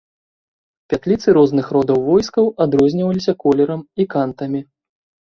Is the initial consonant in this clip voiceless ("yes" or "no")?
yes